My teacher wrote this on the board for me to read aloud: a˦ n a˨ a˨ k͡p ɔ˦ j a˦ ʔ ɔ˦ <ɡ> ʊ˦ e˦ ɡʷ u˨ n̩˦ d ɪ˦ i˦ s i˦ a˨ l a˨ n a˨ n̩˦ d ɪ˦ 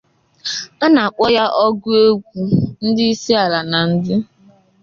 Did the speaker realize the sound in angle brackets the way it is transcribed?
yes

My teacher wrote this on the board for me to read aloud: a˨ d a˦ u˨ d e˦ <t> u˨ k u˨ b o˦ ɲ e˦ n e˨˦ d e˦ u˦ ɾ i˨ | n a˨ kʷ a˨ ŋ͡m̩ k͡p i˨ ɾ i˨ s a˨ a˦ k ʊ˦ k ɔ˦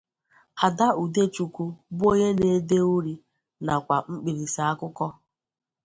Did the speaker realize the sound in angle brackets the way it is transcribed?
no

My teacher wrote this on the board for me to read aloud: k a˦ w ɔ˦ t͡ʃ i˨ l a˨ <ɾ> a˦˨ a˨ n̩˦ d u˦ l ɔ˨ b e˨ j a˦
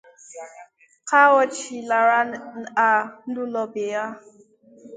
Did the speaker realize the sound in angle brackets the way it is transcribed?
yes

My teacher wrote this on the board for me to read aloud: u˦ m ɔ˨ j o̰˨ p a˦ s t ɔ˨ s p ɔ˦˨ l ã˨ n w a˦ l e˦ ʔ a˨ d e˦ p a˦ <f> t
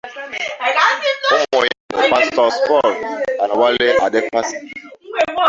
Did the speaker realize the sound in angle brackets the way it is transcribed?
no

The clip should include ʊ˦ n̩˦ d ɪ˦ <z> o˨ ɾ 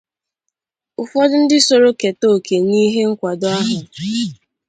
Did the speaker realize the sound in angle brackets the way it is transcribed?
no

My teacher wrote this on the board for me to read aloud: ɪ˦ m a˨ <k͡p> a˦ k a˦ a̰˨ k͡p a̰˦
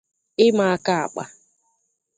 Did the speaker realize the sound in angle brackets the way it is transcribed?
no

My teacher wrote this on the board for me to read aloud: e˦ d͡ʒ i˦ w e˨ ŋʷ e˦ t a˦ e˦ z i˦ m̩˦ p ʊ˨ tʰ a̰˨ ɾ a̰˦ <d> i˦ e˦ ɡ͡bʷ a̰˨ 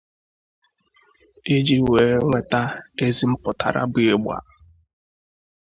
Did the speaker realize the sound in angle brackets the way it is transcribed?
no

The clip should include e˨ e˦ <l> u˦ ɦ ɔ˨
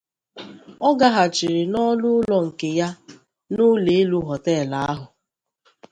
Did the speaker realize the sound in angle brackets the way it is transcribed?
yes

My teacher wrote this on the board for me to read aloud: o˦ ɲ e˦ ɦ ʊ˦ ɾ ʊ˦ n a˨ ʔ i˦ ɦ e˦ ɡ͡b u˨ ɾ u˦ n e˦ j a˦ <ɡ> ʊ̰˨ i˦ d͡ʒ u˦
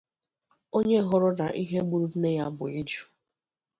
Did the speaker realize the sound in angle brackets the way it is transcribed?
no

